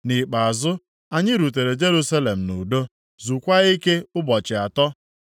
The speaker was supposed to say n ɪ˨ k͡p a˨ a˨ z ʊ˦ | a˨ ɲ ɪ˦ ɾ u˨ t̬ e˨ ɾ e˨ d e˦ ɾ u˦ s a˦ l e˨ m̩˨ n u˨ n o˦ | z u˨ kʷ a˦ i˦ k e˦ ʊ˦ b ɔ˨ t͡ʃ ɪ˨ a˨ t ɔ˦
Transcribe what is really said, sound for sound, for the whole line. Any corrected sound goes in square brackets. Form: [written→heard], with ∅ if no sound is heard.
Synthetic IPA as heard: n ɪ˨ k͡p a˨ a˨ z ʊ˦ | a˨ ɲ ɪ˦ ɾ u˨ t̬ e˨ ɾ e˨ [d→d͡ʒ] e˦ ɾ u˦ s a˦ l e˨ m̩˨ n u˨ [n→d] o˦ | z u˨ kʷ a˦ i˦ k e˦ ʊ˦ b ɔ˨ t͡ʃ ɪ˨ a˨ t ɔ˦